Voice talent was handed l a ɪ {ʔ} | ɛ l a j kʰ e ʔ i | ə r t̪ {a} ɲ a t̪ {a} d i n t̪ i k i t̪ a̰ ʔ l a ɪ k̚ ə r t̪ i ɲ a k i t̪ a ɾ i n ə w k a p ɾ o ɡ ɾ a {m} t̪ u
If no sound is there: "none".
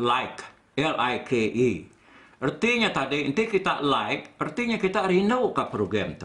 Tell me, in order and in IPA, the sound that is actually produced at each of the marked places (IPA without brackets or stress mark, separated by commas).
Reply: k, i, a, m